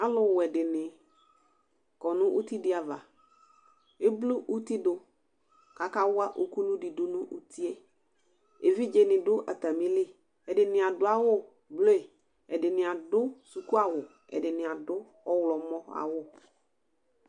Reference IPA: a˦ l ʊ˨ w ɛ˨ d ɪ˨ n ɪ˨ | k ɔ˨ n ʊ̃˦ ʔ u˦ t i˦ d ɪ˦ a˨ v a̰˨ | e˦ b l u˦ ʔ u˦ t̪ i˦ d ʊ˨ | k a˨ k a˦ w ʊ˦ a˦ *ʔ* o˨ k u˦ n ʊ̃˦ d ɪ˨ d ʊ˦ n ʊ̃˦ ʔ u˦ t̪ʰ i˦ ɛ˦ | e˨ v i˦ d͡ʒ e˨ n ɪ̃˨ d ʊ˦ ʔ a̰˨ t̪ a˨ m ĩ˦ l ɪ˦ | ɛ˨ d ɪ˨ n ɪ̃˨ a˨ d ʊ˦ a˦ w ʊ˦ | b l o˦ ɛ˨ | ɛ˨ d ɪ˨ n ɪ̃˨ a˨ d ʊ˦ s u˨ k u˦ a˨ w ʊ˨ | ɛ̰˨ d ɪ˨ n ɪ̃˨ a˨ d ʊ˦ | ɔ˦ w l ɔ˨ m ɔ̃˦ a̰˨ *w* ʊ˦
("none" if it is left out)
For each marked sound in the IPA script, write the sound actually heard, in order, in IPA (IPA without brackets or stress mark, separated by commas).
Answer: ʔ, w